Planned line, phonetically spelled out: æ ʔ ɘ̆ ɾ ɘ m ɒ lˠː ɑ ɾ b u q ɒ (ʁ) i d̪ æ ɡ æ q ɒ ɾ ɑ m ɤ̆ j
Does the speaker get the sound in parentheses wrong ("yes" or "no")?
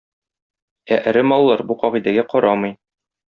no